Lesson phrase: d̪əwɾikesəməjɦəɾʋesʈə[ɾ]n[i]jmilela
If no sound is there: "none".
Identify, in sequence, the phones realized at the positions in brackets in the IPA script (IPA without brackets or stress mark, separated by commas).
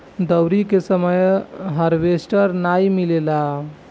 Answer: ɾ, a